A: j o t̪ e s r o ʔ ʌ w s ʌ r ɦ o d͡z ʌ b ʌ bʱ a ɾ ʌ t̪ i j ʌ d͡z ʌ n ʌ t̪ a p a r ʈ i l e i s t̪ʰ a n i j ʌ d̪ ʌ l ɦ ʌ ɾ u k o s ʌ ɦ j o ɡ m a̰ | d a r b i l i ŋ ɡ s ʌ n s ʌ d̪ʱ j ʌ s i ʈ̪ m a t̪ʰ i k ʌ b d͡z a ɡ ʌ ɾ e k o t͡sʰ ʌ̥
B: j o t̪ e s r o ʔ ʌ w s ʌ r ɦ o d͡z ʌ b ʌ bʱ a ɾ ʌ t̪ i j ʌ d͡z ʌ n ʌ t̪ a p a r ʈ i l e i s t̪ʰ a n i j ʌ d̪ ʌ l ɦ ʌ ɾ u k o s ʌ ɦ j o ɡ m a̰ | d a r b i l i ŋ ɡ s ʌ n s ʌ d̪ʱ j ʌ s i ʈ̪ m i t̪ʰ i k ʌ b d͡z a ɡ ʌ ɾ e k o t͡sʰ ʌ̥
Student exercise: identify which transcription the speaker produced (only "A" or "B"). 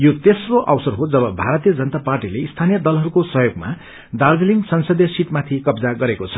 A